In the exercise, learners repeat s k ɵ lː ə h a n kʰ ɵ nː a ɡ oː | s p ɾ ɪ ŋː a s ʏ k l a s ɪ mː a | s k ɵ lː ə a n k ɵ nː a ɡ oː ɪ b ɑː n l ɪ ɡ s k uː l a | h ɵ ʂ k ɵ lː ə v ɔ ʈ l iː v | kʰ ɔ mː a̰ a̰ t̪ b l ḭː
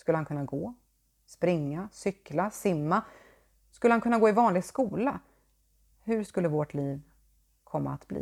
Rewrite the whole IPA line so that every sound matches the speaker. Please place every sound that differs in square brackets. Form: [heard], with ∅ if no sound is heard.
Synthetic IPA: s k ɵ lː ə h a n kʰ ɵ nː a ɡ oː | s p ɾ ɪ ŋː a s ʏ k l a s ɪ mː a | s k ɵ lː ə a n k ɵ nː a ɡ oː ɪ [v] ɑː n l ɪ ɡ s k uː l a | h ɵ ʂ k ɵ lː ə v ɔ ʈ l iː v | kʰ ɔ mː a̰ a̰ t̪ b l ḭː